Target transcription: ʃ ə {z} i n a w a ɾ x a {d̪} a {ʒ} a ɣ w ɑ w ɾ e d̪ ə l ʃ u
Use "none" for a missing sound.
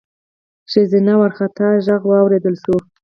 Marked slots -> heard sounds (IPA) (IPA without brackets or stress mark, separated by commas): z, t̪, ʒ